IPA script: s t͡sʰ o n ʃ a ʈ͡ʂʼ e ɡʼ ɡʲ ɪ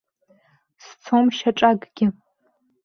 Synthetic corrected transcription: s t͡sʰ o m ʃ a ʈ͡ʂʼ a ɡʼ ɡʲ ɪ

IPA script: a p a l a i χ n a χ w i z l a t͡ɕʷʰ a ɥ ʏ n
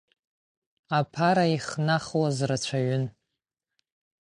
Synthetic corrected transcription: a pʰ a ɾ a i χ n a χ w a z r a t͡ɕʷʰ a ɥ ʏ n

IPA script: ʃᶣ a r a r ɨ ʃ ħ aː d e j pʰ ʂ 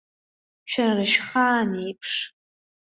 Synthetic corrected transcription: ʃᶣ a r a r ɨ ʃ χ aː n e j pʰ ʂ

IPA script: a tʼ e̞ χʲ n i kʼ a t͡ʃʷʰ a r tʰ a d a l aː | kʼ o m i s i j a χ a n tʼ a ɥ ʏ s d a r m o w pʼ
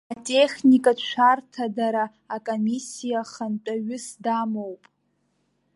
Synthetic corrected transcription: a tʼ e̞ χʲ n i kʼ a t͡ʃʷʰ a r tʰ a d a ɾ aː | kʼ o m i s i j a χ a n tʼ a ɥ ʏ s d a m o w pʼ

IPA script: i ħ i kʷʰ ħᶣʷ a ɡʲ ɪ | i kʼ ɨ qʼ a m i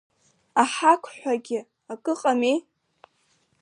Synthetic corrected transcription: a ħ a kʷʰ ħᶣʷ a ɡʲ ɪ | a kʼ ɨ qʼ a m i

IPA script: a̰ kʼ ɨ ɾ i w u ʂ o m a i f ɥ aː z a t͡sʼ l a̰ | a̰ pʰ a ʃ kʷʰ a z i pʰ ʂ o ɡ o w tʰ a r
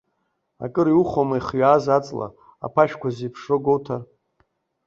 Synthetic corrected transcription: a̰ kʼ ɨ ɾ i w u χ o m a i χ ɥ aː z a t͡sʼ l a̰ | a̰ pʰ a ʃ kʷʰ a z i pʰ ʂ o ɡ o w tʰ a r

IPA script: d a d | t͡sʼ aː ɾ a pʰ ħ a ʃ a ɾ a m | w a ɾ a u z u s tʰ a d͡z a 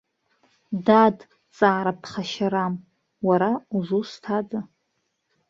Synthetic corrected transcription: d a d | t͡sʼ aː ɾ a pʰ χ a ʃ a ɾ a m | w a ɾ a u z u s tʰ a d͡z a

